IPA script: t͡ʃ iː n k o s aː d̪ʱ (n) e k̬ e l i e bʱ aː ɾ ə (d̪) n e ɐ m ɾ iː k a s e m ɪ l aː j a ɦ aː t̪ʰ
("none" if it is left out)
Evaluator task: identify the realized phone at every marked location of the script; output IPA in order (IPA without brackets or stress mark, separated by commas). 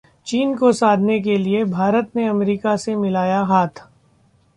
n, t̪